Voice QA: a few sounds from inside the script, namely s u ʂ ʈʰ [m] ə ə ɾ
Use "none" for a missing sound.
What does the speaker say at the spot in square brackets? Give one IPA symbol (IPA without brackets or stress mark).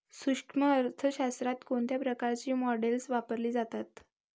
m